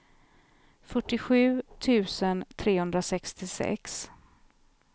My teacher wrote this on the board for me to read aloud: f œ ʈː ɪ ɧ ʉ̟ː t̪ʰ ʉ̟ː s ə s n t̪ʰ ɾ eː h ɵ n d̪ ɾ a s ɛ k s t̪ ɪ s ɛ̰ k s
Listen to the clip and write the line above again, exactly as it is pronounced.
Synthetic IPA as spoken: f œ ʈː ɪ ɧ ʉ̟ː t̪ʰ ʉ̟ː s ə n t̪ʰ ɾ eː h ɵ n d̪ ɾ a s ɛ k s t̪ ɪ s ɛ̰ k s